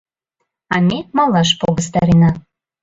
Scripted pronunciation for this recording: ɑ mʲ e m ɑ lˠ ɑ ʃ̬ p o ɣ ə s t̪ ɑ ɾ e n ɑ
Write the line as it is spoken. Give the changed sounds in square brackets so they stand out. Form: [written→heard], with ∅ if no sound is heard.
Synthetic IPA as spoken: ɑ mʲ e m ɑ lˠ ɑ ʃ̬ p o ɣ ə s t̪ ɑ ɾ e n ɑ